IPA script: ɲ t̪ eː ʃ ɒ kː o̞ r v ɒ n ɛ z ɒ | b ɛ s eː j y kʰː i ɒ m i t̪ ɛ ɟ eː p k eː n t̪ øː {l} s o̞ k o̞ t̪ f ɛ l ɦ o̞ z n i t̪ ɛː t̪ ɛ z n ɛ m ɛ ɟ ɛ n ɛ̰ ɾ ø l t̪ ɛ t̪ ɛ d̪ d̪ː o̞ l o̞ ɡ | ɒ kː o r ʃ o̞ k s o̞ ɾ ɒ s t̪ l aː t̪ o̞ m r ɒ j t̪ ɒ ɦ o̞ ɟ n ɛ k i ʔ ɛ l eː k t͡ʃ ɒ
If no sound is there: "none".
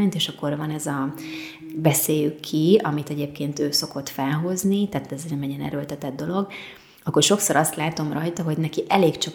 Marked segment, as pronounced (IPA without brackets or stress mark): none